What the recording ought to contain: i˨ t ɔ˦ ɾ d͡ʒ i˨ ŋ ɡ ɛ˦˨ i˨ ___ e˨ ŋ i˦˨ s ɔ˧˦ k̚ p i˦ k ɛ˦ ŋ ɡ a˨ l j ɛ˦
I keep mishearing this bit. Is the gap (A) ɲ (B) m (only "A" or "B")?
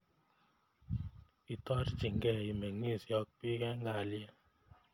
B